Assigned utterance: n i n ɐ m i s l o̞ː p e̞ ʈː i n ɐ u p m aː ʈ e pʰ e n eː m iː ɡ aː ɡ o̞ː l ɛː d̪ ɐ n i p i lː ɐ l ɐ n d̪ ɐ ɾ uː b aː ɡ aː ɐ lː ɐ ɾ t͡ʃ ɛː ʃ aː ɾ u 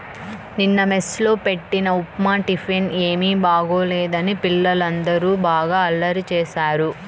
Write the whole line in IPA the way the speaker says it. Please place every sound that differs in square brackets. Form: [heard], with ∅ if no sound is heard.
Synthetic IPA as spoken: n i [nː] ɐ m [e] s l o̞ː p e̞ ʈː i n ɐ u p m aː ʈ [i] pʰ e n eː m iː [b] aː ɡ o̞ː l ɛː d̪ ɐ n i p i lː ɐ l ɐ n d̪ ɐ ɾ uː b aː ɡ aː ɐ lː ɐ ɾ t͡ʃ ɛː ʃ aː ɾ u